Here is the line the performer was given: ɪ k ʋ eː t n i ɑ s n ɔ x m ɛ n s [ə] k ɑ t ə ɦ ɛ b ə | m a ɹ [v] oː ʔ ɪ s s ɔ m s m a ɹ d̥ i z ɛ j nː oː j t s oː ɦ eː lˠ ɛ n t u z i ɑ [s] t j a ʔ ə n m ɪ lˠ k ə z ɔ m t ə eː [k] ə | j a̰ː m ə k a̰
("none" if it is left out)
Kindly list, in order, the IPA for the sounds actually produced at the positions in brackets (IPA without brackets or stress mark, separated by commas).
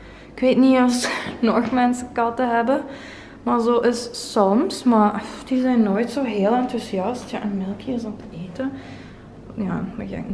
ə, z, s, t